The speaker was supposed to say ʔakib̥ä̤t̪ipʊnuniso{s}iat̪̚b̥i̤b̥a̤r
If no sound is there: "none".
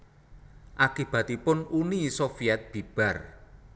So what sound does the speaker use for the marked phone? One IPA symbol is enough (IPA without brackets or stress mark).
f